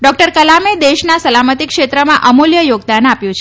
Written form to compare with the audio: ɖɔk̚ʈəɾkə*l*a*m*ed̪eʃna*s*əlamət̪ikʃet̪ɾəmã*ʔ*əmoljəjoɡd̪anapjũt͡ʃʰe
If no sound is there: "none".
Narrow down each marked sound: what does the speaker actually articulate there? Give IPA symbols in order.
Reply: l, m, s, ʔ

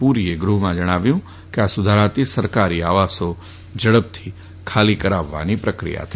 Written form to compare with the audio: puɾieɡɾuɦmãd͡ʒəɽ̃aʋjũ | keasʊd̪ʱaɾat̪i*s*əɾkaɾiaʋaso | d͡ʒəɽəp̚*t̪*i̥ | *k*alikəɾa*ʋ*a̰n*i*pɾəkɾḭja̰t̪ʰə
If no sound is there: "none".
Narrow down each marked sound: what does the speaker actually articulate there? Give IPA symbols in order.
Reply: s, t̪ʰ, kʰ, ʋː, i

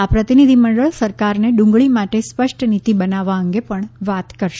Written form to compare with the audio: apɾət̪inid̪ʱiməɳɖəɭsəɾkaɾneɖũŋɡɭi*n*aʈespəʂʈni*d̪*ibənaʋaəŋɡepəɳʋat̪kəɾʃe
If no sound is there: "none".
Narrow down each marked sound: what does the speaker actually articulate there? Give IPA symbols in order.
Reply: m, t̪

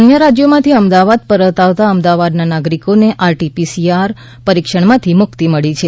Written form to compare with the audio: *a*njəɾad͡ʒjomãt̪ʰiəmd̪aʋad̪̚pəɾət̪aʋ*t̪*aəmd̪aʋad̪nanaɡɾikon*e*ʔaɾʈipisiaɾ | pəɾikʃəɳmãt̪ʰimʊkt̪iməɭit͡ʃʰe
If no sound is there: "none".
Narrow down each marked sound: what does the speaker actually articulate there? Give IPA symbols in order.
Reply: ə, t̪, e

